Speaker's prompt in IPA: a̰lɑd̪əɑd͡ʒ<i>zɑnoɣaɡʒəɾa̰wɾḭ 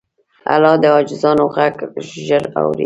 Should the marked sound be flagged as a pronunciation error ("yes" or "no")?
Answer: yes